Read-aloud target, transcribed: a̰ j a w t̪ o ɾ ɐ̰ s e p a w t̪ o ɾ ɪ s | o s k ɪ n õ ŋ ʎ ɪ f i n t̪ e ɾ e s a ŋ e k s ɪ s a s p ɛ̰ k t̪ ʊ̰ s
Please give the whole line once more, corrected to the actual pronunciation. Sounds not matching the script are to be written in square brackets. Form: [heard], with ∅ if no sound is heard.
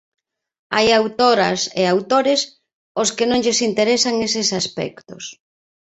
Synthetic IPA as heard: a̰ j a w t̪ o ɾ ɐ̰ s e [∅] a w t̪ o ɾ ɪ s | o s k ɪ n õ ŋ ʎ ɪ [s] i n t̪ e ɾ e s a ŋ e [∅] s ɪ s a s p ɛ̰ k t̪ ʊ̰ s

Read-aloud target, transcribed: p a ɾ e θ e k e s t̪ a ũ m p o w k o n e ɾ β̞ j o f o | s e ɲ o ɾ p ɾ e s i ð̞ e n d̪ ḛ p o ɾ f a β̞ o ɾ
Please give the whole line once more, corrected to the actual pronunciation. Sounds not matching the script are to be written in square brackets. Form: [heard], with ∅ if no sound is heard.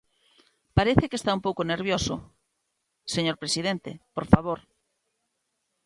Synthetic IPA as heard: p a ɾ e θ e k e s t̪ a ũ m p o w k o n e ɾ β̞ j o [s] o | s e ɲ o ɾ p ɾ e s i ð̞ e n [t̪] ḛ p o ɾ f a β̞ o ɾ

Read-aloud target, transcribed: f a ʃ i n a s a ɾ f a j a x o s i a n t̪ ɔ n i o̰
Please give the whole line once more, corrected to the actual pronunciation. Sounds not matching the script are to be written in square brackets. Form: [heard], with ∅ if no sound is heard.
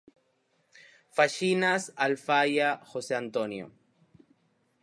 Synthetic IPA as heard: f a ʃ i n a s a [l] f a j a x o s [e] a n t̪ [o] n [j] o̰

